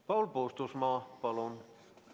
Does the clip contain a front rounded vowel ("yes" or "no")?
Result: no